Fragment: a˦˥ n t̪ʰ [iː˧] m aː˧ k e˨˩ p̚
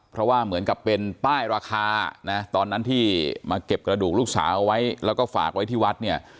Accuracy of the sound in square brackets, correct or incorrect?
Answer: incorrect